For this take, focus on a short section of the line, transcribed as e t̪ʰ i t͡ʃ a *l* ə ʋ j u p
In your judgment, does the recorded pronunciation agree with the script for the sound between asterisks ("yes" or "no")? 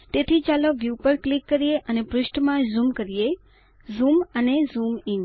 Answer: yes